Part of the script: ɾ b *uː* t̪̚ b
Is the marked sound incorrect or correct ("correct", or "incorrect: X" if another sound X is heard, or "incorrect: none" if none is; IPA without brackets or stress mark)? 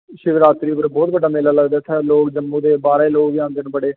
incorrect: ɔː